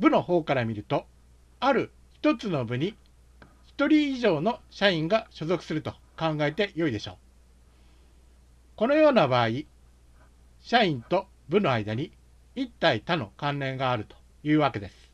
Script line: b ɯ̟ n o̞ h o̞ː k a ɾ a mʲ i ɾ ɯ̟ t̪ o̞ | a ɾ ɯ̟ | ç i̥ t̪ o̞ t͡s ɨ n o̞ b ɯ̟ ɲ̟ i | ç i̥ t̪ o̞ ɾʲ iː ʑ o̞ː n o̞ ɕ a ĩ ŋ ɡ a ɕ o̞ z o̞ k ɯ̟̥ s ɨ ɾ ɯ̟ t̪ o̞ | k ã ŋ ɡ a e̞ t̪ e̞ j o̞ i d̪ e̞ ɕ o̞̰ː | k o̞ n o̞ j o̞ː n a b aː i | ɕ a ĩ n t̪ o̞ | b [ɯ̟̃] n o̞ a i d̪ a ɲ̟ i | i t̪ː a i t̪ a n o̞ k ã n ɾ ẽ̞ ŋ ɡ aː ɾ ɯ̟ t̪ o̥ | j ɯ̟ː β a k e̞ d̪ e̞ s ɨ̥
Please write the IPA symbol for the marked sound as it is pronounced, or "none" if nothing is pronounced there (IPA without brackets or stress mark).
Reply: ɯ̟